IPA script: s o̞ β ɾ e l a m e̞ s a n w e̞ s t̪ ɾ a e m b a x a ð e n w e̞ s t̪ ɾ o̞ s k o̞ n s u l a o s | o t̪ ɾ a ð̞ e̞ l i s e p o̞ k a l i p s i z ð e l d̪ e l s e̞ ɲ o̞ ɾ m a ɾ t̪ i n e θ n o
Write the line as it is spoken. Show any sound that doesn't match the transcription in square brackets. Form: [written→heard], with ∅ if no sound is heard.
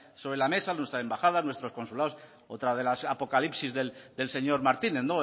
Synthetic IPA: s o̞ β ɾ e l a m e̞ s a n w e̞ s t̪ ɾ a e m b a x a ð [e→a] n w e̞ s t̪ ɾ o̞ s k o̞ n s u l a o s | o t̪ ɾ a ð̞ e̞ l [i→a] s [e→a] p o̞ k a l i p s i z ð e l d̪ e l s e̞ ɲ o̞ ɾ m a ɾ t̪ i n e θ n o